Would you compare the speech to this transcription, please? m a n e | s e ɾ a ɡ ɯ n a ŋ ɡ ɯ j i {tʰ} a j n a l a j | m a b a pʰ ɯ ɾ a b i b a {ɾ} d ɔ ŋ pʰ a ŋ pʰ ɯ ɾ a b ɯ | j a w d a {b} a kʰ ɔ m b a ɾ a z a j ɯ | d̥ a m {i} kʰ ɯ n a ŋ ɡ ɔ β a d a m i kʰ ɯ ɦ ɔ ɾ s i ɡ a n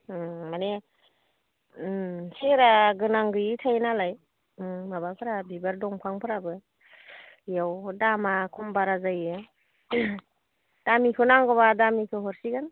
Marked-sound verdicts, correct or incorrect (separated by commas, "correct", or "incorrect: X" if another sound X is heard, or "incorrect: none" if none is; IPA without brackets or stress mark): correct, correct, incorrect: m, correct